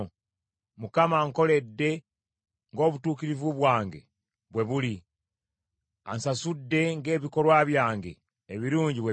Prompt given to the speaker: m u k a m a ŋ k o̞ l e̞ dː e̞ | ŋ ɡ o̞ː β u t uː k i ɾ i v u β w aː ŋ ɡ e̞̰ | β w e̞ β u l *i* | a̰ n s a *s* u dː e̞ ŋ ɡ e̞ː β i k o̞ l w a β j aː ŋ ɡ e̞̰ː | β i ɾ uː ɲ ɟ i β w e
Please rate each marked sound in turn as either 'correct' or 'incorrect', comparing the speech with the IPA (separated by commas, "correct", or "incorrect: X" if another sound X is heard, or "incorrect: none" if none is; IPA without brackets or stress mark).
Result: correct, correct